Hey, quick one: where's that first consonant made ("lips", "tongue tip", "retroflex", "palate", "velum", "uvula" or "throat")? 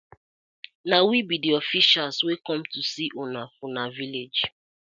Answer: tongue tip